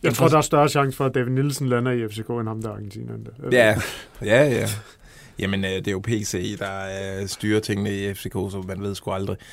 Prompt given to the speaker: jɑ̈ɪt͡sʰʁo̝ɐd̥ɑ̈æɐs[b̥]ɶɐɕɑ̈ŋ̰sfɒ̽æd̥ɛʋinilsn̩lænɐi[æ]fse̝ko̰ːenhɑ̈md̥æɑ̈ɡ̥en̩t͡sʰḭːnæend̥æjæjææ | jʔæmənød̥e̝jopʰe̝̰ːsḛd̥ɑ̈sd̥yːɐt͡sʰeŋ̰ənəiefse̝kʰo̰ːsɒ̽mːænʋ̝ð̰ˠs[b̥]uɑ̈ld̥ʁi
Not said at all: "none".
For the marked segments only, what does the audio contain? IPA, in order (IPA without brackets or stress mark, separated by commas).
d̥, e, ɡ̥